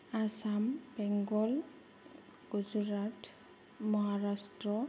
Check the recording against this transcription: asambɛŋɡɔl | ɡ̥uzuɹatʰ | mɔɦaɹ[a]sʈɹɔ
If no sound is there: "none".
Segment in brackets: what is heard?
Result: a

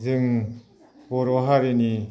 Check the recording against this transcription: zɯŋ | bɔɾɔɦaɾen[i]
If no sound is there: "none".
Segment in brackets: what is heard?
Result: i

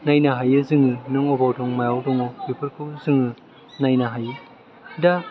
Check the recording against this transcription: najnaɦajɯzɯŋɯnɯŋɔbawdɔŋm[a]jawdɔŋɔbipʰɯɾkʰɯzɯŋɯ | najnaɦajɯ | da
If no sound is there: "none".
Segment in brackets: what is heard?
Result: a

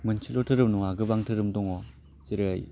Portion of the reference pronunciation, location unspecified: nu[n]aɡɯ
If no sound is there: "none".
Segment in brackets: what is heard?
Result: ŋ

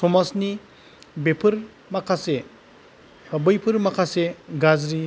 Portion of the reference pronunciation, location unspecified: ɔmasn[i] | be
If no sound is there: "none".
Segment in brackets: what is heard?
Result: i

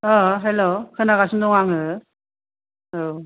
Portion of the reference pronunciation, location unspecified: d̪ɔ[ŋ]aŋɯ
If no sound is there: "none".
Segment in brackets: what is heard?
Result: ŋ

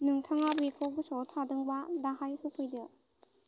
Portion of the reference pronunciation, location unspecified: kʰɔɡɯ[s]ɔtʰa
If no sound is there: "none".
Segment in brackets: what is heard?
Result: s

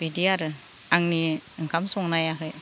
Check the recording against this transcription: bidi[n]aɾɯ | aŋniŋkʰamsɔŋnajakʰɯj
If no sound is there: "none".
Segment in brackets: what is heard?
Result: none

